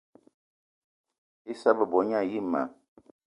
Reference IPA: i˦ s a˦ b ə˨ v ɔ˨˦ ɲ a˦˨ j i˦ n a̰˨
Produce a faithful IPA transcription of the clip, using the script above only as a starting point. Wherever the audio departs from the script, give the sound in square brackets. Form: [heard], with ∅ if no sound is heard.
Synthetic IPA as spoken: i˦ s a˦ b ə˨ [b] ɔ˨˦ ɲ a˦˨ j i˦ [m] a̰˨